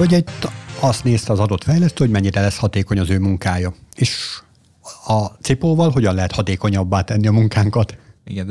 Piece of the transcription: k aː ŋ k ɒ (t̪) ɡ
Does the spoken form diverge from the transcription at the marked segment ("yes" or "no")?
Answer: no